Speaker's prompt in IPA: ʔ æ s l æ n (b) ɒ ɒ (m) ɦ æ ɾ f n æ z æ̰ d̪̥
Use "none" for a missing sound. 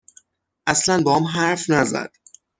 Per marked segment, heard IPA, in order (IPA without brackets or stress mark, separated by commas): b, m